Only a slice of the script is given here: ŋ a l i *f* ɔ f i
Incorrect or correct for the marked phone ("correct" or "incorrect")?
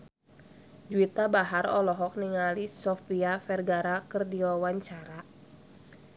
incorrect